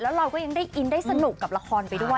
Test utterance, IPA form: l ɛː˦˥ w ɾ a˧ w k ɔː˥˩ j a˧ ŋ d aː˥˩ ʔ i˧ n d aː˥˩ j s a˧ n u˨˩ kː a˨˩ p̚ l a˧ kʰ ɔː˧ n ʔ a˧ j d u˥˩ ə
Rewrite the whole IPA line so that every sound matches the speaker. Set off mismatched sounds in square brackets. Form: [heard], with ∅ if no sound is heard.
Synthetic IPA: l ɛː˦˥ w ɾ a˧ w k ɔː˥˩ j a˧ ŋ d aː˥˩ ʔ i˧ n d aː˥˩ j s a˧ n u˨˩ kː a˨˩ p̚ l a˧ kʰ ɔː˧ n [p] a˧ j d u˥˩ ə